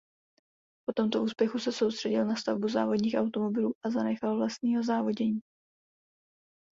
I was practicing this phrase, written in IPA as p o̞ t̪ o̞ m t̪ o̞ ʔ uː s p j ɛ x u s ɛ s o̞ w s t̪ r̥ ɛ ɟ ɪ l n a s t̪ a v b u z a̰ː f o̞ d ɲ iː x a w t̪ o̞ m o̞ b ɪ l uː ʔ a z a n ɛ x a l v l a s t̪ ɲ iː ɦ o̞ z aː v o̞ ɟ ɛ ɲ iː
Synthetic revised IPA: p o̞ t̪ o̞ m t̪ o̞ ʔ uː s p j ɛ x u s ɛ s o̞ w s t̪ r̥ ɛ ɟ ɪ l n a s t̪ a v b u z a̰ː v o̞ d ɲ iː x a w t̪ o̞ m o̞ b ɪ l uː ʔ a z a n ɛ x a l v l a s t̪ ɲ iː ɦ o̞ z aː v o̞ ɟ ɛ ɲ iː